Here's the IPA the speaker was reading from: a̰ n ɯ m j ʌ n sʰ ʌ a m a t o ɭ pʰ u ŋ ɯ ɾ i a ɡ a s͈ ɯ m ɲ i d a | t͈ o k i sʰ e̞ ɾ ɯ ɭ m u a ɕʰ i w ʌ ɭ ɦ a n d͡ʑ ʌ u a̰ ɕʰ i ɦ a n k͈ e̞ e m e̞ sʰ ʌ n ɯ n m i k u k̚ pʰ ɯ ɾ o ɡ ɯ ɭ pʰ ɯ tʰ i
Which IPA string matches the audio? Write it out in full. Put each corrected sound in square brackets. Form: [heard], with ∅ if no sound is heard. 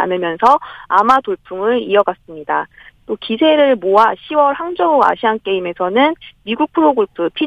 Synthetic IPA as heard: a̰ n ɯ m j ʌ n sʰ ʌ a m a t o ɭ pʰ u ŋ ɯ ɾ i [ʌ] ɡ a s͈ ɯ m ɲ i d a | t͈ o k i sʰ e̞ ɾ ɯ ɭ m [o] a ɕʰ i w ʌ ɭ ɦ a [ŋ] d͡ʑ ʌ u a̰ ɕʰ i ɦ a n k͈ e̞ [i] m e̞ sʰ ʌ n ɯ n m i [ɡ] u k̚ pʰ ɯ ɾ o ɡ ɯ ɭ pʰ ɯ [pʰ] i